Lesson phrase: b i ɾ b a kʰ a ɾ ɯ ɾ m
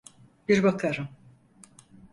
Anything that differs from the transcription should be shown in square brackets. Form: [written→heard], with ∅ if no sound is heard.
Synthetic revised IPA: b i ɾ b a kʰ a ɾ ɯ [ɾ→∅] m